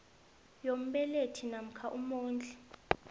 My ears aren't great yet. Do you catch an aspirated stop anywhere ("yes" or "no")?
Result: yes